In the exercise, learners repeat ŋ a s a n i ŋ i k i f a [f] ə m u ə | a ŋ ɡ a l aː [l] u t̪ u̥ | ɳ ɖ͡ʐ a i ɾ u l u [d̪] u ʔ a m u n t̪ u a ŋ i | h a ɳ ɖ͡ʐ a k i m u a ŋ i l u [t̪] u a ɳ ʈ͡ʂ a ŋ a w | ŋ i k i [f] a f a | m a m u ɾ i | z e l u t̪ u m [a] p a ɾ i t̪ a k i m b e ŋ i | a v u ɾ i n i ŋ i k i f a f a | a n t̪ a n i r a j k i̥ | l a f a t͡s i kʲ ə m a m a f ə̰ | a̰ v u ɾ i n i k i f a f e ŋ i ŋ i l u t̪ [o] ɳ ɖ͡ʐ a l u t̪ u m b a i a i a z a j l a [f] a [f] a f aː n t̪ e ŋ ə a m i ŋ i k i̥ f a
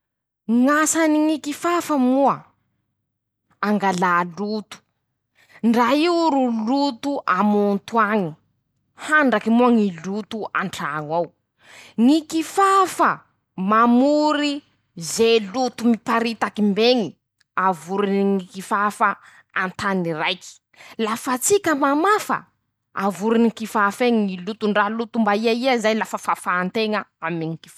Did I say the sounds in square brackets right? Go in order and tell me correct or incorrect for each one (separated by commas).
correct, correct, incorrect, correct, correct, incorrect, incorrect, correct, correct